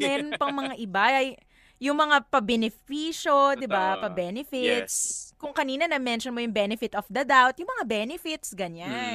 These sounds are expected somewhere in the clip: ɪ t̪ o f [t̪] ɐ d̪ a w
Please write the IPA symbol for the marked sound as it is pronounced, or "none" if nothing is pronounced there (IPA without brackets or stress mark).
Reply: d̪